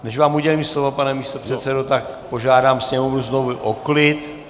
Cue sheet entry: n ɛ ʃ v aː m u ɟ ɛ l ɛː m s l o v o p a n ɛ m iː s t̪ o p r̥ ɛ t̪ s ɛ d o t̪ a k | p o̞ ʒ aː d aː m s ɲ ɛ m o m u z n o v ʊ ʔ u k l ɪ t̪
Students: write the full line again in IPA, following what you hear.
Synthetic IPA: n ɛ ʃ v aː m u ɟ ɛ l iː m s l o v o p a n ɛ m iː s t̪ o p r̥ ɛ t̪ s ɛ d o t̪ a k | p o̞ ʒ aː d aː m s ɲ ɛ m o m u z n o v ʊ ʔ o k l ɪ t̪